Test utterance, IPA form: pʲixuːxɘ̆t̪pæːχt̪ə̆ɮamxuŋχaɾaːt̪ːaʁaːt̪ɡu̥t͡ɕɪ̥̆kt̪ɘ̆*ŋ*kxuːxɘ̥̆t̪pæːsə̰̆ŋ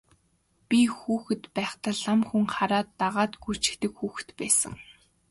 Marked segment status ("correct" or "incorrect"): incorrect